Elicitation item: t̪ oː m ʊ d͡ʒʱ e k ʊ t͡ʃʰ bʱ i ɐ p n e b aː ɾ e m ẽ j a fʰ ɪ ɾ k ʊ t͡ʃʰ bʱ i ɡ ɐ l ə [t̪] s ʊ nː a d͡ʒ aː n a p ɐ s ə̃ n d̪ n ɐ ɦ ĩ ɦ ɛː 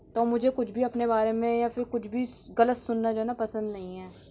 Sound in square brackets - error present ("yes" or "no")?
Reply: no